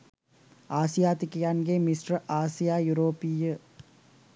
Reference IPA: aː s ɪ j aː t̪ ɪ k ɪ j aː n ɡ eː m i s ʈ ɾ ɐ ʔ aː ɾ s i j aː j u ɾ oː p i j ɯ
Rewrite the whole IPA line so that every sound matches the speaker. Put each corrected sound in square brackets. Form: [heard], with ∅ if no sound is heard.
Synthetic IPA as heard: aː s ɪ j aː t̪ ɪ k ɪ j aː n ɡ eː m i s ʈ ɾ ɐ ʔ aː [∅] s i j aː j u ɾ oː p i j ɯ